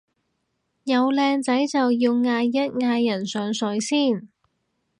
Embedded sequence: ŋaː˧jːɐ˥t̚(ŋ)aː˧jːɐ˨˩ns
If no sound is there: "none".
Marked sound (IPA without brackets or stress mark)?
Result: ŋ